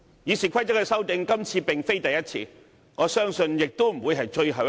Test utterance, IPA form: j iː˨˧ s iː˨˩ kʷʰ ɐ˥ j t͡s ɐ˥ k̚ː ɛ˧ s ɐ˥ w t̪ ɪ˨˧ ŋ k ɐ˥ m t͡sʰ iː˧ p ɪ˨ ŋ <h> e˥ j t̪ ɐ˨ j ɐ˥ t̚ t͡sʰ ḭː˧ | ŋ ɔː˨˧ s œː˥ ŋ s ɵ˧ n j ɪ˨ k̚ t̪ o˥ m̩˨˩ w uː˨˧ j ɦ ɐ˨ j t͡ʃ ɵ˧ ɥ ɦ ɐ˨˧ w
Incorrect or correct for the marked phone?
incorrect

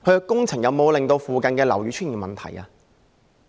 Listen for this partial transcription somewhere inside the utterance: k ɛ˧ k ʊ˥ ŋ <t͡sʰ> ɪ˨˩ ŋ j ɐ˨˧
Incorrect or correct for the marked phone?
correct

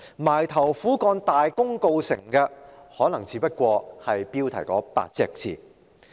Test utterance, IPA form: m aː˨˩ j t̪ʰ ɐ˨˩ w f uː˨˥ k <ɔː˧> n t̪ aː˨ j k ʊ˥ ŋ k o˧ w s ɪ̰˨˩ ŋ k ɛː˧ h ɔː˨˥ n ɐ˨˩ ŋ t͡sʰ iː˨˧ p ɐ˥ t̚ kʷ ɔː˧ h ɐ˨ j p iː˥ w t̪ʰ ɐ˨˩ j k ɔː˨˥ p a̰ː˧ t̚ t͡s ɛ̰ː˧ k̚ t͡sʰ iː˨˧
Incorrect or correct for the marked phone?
correct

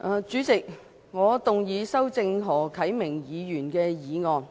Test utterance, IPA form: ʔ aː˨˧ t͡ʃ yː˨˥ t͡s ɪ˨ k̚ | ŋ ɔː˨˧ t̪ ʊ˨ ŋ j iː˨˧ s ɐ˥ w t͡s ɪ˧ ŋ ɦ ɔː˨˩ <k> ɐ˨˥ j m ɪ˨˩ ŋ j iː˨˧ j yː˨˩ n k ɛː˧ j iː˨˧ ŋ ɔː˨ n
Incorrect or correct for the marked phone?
incorrect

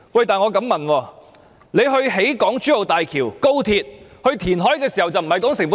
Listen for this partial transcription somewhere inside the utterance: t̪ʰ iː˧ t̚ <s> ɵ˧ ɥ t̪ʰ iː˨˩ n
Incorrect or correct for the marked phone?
incorrect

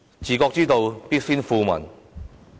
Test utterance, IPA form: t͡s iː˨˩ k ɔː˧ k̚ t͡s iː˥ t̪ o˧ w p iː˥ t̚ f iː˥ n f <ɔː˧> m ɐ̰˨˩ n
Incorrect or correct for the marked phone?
incorrect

